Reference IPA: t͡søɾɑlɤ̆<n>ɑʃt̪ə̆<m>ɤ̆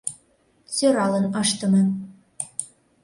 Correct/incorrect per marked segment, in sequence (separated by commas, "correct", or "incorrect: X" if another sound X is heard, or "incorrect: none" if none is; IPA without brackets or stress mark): correct, correct